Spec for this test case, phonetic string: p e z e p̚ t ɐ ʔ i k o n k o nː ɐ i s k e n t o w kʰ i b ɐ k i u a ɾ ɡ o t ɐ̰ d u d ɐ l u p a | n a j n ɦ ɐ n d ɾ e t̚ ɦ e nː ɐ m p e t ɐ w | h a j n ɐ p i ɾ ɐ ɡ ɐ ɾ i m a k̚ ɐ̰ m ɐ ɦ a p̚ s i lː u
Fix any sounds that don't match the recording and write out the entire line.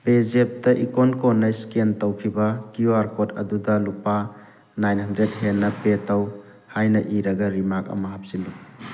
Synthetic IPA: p e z e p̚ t ɐ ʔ i k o n k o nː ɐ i s k e n t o w kʰ i b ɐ k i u a ɾ k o t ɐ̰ d u d ɐ l u p a | n a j n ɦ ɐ n d ɾ e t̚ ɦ e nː ɐ p e t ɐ w | h a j n ɐ ʔ i ɾ ɐ ɡ ɐ ɾ i m a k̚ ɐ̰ m ɐ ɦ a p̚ s i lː u